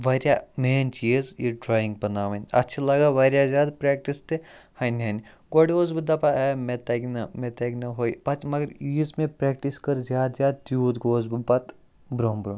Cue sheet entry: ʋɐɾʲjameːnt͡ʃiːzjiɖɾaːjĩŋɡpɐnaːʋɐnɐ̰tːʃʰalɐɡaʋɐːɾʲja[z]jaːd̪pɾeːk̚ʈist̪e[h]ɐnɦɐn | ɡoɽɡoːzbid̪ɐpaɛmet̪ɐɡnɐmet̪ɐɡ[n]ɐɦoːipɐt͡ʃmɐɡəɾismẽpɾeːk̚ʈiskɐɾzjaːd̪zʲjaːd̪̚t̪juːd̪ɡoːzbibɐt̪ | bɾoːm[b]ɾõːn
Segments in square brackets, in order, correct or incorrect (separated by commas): correct, correct, correct, correct